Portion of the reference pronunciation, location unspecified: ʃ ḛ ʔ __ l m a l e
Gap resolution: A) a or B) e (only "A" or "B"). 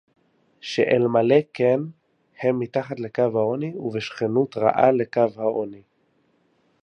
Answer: B